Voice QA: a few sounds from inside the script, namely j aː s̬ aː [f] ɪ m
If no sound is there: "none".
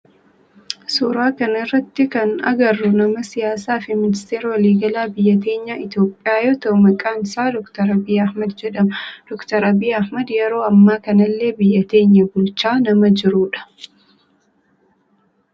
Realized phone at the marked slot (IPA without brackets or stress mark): f